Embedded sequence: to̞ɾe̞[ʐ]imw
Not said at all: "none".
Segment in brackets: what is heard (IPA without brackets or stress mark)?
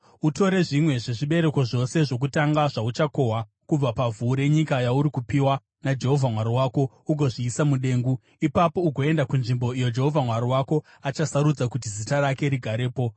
ʐ